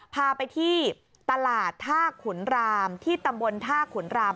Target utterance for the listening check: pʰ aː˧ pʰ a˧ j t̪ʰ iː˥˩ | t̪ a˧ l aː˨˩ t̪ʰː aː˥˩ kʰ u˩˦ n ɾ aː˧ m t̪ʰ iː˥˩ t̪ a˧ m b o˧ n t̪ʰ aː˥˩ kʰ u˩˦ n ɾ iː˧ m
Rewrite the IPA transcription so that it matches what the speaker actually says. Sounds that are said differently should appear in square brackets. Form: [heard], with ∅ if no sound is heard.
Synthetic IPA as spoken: pʰ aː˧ [p] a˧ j t̪ʰ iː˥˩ | t̪ a˧ l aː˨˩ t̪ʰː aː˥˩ kʰ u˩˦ n ɾ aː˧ m t̪ʰ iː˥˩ t̪ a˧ m b o˧ n t̪ʰ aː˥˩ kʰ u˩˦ n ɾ [aː˧] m